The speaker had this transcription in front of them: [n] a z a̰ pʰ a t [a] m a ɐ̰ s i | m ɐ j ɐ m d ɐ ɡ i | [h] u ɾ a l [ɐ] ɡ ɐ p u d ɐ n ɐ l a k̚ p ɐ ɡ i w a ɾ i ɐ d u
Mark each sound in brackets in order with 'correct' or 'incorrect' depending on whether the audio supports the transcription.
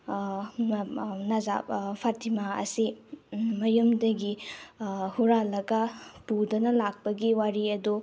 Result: correct, incorrect, correct, correct

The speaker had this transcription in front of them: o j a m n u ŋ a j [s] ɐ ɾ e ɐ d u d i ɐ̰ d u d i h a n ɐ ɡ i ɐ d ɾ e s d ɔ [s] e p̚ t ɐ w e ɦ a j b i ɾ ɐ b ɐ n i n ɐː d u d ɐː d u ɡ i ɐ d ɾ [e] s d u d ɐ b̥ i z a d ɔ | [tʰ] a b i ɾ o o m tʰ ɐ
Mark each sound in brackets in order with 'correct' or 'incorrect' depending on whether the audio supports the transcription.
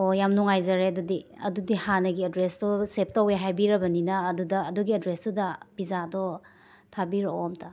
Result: incorrect, correct, correct, correct

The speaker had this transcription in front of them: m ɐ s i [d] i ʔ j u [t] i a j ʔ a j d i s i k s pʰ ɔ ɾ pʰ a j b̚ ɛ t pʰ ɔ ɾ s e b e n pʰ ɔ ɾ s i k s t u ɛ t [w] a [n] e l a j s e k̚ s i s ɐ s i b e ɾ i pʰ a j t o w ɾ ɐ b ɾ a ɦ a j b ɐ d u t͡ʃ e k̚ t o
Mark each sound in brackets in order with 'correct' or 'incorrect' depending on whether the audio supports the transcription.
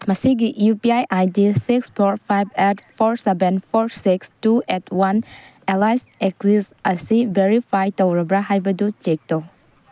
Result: incorrect, incorrect, correct, correct

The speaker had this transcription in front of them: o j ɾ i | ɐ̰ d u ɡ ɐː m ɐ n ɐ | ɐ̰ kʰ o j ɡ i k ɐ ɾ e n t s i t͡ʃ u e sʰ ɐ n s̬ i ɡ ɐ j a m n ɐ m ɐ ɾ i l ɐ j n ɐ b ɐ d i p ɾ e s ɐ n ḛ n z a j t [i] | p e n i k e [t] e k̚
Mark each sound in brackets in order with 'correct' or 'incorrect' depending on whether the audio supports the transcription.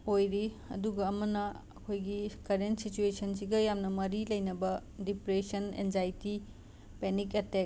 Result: correct, correct

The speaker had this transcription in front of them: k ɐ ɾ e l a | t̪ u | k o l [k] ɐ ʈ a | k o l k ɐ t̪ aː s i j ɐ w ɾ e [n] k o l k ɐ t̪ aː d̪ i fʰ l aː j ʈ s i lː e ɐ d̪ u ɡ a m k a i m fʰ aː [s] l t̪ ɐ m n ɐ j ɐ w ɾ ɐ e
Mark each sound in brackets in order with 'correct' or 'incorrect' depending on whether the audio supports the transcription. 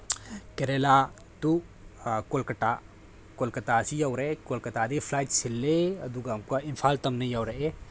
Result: correct, incorrect, incorrect

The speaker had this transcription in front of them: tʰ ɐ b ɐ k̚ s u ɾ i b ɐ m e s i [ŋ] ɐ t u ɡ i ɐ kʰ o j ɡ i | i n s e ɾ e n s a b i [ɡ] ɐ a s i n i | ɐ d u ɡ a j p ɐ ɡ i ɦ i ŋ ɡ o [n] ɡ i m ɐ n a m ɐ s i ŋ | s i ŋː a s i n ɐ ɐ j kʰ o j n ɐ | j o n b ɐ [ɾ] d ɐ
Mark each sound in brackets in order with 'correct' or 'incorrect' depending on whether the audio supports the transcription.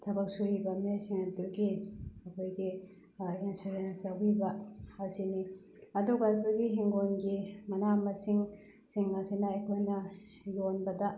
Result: correct, incorrect, correct, incorrect

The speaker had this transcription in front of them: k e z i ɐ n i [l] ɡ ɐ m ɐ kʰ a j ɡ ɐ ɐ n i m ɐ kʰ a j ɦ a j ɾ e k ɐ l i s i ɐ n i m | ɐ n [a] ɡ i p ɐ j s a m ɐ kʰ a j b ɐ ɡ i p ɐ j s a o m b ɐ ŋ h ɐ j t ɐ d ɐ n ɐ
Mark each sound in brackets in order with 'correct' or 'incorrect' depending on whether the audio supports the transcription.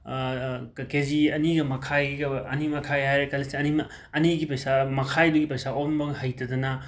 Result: incorrect, incorrect

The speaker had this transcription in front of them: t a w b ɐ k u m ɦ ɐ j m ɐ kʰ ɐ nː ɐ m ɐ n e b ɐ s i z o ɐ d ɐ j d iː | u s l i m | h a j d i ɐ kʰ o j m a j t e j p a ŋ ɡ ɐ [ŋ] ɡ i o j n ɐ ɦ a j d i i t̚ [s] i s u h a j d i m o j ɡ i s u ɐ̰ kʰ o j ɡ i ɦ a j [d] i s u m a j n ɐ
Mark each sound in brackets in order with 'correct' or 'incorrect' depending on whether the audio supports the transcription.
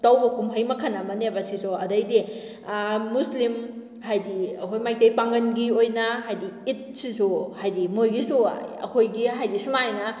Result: incorrect, correct, correct

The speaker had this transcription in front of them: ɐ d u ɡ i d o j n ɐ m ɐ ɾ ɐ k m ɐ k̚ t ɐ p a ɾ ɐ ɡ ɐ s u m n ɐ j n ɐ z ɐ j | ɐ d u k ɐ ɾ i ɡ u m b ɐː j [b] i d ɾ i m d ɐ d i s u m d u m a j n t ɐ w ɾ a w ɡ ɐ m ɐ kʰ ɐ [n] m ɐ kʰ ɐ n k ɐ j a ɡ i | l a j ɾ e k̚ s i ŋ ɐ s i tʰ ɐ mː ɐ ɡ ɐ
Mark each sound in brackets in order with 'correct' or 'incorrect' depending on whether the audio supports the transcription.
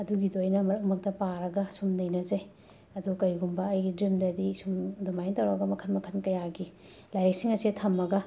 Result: incorrect, correct

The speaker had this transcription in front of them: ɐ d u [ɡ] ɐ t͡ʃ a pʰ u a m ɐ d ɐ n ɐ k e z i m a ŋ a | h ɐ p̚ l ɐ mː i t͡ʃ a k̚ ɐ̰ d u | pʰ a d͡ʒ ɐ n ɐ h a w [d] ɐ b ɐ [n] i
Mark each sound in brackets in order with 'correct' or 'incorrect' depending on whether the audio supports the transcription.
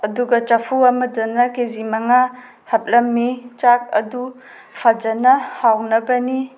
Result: correct, incorrect, correct

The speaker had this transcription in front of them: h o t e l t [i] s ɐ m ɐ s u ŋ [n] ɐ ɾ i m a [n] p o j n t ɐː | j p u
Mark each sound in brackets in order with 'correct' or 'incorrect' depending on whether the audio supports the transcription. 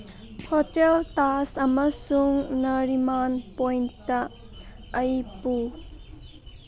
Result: incorrect, correct, correct

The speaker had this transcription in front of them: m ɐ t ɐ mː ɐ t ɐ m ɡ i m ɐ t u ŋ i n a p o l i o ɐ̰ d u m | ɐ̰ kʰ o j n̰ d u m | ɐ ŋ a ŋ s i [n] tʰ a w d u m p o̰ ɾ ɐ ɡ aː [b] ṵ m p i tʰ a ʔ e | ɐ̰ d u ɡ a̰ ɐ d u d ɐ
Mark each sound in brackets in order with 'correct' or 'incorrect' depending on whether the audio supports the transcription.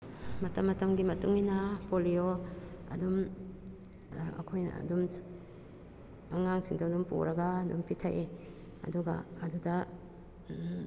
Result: incorrect, incorrect

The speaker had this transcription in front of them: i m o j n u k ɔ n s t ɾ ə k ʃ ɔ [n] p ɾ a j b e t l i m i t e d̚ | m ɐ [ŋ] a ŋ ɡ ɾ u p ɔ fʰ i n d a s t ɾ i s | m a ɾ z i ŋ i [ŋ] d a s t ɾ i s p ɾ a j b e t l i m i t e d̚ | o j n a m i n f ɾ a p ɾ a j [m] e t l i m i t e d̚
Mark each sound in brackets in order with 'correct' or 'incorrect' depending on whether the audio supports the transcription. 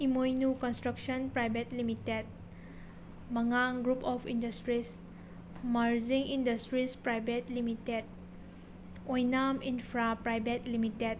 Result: correct, correct, incorrect, incorrect

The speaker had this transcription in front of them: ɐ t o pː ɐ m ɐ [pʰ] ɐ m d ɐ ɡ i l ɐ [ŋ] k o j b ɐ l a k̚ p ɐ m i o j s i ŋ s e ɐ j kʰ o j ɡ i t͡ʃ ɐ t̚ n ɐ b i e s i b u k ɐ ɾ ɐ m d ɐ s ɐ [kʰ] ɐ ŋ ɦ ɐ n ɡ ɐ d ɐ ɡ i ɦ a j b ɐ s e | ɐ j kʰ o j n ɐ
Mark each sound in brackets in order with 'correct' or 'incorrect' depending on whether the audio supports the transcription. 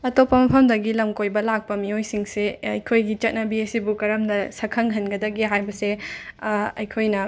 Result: correct, incorrect, correct

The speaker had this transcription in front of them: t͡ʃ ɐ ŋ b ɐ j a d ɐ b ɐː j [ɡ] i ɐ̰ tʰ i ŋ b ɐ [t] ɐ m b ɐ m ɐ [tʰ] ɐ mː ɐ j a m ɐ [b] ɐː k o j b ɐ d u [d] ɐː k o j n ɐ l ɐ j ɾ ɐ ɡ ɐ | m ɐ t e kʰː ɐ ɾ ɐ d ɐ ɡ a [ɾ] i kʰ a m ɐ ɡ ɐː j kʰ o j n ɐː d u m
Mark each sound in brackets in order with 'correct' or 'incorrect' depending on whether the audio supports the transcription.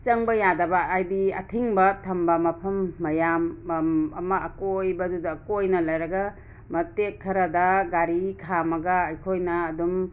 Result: incorrect, incorrect, incorrect, incorrect, correct, correct

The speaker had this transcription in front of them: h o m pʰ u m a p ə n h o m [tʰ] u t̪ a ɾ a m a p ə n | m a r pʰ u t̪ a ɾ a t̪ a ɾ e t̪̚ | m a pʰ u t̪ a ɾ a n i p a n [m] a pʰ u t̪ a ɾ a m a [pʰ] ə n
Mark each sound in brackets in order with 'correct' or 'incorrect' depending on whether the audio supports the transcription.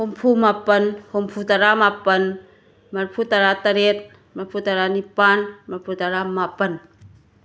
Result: incorrect, correct, incorrect

